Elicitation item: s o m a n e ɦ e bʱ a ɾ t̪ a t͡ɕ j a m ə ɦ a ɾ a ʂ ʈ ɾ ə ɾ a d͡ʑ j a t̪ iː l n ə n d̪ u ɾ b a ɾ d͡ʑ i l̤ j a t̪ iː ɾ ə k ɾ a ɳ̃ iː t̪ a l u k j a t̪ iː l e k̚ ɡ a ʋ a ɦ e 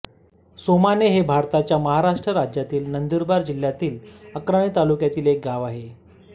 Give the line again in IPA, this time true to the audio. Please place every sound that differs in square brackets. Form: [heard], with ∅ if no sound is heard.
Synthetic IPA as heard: s o m a n e ɦ e bʱ a ɾ t̪ a t͡ɕ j a m ə ɦ a ɾ a ʂ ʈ ɾ ə ɾ a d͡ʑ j a t̪ iː l n ə n d̪ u ɾ b a ɾ d͡ʑ i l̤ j a t̪ iː [l] ə k ɾ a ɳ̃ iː t̪ a l u k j a t̪ iː l e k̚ ɡ a ʋ a ɦ e